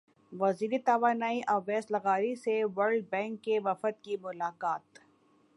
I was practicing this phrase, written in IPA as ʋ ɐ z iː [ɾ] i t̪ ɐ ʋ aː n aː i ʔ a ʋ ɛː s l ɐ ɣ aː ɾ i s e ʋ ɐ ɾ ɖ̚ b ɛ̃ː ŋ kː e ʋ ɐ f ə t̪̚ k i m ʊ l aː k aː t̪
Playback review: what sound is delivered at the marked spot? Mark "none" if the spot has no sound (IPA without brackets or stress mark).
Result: ɾ